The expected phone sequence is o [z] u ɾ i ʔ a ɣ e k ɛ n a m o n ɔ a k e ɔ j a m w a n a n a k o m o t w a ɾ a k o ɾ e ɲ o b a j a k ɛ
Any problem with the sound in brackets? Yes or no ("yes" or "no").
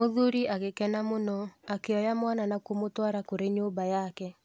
yes